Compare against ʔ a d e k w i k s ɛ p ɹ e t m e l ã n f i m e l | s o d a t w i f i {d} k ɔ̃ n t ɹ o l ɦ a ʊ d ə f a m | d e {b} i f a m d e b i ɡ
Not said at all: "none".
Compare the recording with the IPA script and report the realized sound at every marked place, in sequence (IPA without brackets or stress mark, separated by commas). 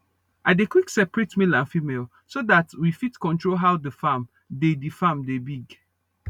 t, d